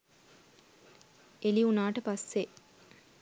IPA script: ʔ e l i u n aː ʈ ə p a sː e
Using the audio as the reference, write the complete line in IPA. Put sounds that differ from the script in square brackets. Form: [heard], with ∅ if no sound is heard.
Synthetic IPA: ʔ e l i u n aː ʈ ə p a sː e